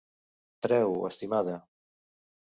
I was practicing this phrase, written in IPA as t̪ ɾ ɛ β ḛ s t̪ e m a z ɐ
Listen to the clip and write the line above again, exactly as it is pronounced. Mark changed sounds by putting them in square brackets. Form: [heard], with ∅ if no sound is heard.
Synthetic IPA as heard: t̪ ɾ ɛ [w] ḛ s t̪ [i] m a [ð] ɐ